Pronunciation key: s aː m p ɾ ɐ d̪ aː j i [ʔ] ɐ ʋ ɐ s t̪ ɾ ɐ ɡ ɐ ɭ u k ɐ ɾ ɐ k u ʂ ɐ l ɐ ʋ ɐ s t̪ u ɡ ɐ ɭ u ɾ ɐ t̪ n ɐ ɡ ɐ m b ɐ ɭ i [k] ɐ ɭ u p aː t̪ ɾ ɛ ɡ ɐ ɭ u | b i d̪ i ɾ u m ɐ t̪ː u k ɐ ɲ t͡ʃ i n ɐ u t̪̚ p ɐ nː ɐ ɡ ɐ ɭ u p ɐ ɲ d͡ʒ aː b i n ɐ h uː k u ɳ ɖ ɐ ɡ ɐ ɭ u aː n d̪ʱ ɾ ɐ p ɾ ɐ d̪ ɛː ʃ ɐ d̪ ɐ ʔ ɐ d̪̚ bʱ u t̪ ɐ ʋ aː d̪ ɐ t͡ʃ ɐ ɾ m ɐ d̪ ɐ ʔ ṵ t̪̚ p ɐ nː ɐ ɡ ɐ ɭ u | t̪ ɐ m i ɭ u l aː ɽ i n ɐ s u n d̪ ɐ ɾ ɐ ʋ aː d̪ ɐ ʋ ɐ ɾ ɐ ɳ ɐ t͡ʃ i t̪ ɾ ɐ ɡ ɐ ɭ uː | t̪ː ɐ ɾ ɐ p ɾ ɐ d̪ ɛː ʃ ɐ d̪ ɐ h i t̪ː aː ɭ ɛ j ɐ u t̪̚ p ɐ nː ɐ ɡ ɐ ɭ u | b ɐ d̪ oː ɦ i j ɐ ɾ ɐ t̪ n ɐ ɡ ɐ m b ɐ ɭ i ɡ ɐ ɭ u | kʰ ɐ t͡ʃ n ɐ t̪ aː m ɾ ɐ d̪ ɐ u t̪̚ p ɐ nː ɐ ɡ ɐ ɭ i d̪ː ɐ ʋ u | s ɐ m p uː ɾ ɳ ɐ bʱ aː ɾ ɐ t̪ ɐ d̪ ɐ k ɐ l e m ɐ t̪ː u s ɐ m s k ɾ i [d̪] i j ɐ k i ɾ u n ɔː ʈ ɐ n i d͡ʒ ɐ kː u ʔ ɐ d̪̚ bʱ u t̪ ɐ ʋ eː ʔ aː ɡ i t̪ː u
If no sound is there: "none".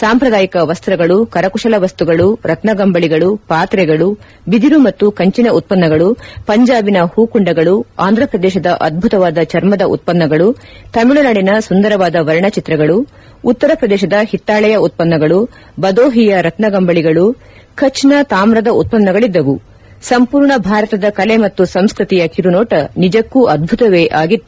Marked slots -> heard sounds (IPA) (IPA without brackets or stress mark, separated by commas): k, ɡ, t̪